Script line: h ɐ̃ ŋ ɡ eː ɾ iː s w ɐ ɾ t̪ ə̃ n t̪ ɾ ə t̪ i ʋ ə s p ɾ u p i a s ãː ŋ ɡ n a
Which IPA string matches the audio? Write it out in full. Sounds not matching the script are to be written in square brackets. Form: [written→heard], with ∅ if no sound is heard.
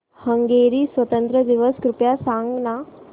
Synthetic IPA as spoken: h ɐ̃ ŋ ɡ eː ɾ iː s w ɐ [ɾ→∅] t̪ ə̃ n t̪ ɾ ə [t̪→d̪] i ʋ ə s [p→k] ɾ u p [i→j] a s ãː ŋ ɡ n a